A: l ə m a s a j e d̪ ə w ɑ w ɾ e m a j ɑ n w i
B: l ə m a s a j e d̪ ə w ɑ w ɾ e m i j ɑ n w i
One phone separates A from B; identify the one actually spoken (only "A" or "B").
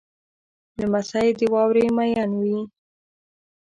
A